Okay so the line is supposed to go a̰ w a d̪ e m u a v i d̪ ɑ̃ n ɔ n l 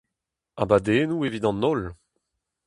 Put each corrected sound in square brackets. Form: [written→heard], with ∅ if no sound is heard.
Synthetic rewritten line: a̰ [w→b] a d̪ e [m→n] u [a→e] v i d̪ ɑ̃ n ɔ [n→∅] l